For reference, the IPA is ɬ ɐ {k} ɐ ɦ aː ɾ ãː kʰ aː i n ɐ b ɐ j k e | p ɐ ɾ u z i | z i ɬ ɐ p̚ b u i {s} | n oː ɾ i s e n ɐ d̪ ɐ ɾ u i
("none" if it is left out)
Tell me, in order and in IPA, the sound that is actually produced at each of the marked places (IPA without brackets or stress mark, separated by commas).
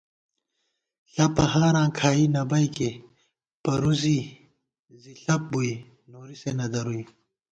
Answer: p, none